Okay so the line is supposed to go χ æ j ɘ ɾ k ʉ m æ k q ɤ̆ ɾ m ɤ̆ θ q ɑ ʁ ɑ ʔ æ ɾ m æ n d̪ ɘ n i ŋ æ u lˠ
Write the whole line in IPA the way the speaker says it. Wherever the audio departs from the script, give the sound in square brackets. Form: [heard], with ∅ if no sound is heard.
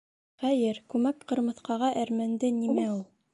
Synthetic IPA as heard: χ æ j ɘ ɾ k ʉ m æ k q ɤ̆ ɾ m ɤ̆ θ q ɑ ʁ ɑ ʔ æ ɾ m æ n d̪ ɘ n i [m] æ u lˠ